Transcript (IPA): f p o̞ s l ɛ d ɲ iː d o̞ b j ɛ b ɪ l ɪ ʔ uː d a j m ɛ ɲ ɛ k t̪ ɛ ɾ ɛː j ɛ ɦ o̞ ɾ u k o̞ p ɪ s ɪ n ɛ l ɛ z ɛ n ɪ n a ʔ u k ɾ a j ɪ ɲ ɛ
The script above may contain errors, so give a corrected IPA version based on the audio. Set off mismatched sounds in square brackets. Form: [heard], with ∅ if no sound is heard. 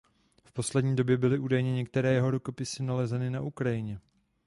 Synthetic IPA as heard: f p o̞ s l ɛ d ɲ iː d o̞ b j ɛ b ɪ l ɪ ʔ uː d a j [ɲ] ɛ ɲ ɛ k t̪ ɛ ɾ ɛː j ɛ ɦ o̞ ɾ u k o̞ p ɪ s ɪ n [a] l ɛ z ɛ n ɪ n a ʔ u k ɾ a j ɪ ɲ ɛ